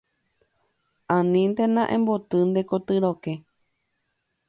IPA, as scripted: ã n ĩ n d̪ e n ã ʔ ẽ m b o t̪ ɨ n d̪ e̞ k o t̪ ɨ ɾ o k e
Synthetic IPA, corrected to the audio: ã n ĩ n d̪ e n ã ʔ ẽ m b o t̪ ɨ n d̪ e̞ k o t̪ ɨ ɾ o k e